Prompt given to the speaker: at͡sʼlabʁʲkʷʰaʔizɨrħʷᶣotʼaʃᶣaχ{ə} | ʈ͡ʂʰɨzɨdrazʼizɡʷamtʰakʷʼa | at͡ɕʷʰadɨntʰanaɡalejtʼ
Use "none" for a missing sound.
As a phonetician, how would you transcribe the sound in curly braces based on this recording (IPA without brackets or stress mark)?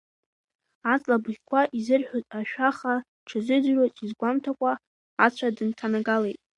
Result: a